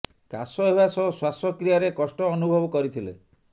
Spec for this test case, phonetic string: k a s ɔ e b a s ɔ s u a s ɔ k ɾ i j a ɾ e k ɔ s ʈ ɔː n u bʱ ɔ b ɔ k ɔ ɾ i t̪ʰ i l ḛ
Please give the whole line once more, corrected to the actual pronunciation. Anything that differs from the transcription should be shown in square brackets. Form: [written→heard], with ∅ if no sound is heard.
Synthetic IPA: k a s ɔ e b a s ɔ s [u→w] a s ɔ k ɾ i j a ɾ e k ɔ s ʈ ɔː n u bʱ ɔ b ɔ k ɔ ɾ i t̪ʰ i l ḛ